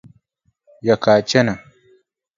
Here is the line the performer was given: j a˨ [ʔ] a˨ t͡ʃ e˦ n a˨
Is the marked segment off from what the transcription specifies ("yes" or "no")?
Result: yes